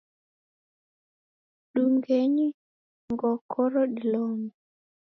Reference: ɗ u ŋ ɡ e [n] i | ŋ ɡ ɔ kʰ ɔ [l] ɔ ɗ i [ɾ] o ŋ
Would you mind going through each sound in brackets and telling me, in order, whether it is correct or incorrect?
incorrect, incorrect, incorrect

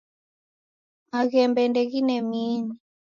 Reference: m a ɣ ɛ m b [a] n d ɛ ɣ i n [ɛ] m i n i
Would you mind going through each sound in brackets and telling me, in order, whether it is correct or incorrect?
incorrect, correct

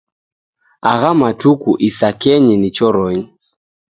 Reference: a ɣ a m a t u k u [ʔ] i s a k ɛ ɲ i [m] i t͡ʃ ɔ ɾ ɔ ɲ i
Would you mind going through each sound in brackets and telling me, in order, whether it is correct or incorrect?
correct, incorrect

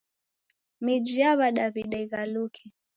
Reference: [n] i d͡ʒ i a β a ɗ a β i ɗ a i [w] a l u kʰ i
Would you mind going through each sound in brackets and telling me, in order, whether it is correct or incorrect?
incorrect, incorrect

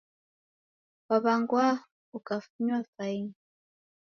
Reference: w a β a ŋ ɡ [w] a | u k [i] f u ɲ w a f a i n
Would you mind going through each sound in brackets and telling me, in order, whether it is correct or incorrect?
correct, incorrect

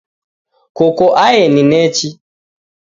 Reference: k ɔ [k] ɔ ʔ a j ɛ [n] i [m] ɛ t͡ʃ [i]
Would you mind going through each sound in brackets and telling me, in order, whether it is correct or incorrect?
correct, correct, incorrect, correct

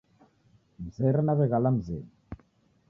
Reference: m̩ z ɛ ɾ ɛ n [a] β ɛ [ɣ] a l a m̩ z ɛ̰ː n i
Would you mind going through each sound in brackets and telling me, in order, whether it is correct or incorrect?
correct, correct

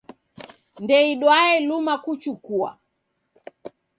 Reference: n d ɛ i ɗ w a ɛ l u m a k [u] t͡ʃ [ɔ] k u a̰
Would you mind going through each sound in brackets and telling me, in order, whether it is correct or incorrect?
correct, incorrect

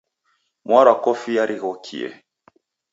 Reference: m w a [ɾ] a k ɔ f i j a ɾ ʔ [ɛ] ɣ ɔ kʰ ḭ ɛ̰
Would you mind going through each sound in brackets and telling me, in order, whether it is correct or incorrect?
correct, incorrect

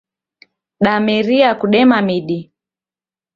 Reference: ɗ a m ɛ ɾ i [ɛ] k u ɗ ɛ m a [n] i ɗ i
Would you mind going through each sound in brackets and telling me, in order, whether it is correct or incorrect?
incorrect, incorrect

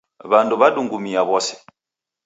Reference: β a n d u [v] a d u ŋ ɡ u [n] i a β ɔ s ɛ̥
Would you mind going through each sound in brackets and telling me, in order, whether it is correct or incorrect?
incorrect, incorrect

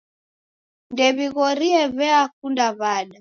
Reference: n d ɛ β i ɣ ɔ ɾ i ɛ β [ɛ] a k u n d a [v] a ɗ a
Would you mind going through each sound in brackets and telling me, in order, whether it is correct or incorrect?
correct, incorrect

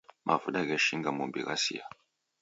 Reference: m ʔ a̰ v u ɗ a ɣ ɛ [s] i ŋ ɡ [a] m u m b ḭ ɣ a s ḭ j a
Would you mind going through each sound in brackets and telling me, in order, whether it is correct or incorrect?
incorrect, correct

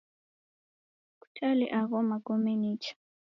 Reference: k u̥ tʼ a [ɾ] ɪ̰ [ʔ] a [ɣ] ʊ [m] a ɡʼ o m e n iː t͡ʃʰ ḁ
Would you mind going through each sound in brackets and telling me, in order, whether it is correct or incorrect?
incorrect, correct, correct, correct

